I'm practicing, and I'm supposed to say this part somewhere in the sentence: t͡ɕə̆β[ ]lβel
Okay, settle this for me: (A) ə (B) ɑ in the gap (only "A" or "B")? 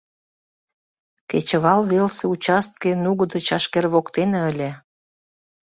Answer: B